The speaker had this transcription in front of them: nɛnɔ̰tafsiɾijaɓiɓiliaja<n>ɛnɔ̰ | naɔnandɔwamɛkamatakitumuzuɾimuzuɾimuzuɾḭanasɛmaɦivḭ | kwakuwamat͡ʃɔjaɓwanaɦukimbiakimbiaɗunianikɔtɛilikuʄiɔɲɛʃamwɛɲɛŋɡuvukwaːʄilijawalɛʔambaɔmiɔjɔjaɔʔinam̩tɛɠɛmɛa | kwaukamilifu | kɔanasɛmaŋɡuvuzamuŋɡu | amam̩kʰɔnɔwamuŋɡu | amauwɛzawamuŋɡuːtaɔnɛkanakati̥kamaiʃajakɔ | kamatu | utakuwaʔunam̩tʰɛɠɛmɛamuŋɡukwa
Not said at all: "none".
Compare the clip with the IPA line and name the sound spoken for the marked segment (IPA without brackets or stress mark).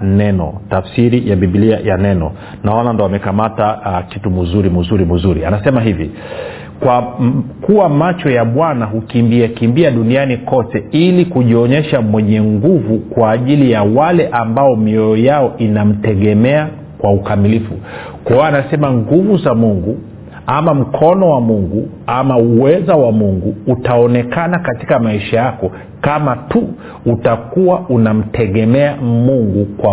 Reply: n